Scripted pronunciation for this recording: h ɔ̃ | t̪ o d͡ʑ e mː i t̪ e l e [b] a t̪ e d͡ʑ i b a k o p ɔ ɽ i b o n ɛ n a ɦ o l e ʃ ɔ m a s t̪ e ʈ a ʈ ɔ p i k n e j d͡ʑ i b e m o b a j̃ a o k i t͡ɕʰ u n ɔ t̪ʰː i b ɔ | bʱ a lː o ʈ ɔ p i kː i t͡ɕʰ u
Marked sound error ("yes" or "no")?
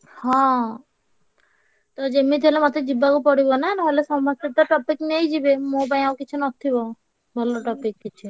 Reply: yes